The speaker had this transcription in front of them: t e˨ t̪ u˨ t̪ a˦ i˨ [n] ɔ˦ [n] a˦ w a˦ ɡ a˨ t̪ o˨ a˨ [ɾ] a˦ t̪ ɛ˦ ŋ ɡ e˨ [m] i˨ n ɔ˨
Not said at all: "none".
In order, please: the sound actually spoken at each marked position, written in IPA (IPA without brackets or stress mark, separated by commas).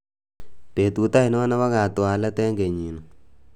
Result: n, n, l, ɲ